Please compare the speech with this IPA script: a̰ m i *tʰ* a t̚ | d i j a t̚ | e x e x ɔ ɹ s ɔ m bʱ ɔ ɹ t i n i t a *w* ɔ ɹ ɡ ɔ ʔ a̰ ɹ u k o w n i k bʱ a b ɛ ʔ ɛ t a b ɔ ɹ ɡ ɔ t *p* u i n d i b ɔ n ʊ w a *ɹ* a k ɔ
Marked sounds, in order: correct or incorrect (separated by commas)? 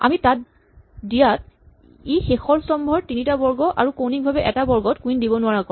incorrect, incorrect, incorrect, correct